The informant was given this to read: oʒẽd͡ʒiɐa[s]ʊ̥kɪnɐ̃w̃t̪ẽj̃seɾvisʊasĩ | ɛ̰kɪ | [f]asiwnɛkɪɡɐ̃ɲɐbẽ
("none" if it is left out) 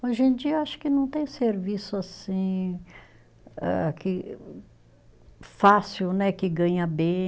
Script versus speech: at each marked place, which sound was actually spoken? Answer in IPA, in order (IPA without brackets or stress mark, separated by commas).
ʃ, f